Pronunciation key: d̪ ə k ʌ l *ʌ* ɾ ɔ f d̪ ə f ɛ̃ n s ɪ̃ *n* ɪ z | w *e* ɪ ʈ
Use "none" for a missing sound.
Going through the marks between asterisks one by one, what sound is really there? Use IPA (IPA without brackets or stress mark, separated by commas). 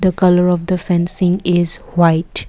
ə, ŋ, a